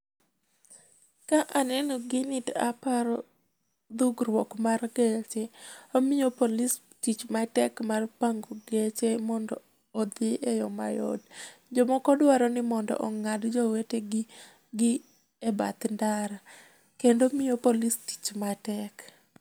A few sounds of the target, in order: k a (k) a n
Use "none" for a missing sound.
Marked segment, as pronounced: ʔ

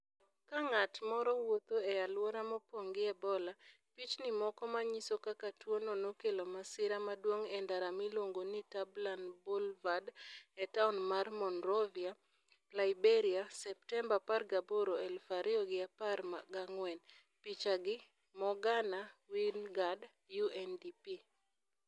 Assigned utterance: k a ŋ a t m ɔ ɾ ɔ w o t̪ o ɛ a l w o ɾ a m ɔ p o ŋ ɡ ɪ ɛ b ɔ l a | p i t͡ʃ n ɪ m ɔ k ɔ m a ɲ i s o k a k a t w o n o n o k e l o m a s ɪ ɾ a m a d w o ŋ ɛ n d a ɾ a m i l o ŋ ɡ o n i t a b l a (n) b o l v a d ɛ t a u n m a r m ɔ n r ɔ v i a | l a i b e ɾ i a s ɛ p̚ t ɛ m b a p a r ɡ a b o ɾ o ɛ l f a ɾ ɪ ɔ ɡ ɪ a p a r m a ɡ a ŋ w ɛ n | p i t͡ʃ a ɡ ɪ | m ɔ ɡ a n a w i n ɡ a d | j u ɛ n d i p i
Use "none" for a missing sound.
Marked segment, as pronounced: n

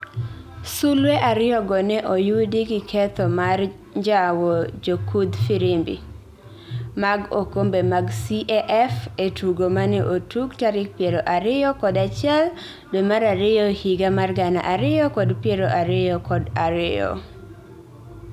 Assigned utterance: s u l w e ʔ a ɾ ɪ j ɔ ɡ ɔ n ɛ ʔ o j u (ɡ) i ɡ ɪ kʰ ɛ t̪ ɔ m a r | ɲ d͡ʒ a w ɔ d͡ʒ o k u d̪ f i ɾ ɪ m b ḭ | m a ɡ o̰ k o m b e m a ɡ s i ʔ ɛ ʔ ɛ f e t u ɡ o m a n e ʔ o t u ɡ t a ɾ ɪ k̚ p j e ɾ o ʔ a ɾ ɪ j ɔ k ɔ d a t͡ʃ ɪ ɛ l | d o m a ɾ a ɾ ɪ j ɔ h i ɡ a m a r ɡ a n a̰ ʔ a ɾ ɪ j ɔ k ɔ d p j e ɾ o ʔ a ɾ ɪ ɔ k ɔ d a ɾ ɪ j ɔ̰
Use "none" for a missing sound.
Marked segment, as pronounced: d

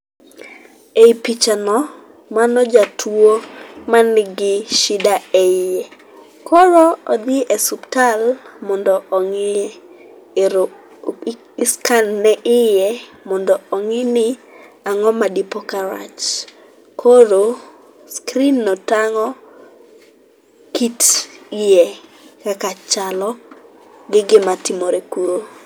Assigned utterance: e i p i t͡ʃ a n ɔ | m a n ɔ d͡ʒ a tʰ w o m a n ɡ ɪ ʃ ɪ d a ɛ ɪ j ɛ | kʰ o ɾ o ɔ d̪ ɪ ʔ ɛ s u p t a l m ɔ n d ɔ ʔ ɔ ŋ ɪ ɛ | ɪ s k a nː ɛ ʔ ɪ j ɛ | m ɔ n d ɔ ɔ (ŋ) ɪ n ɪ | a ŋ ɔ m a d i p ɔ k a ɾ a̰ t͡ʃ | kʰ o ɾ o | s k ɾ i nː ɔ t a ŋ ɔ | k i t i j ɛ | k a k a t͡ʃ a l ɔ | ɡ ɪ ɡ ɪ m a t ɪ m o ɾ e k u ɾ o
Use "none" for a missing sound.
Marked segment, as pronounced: ŋ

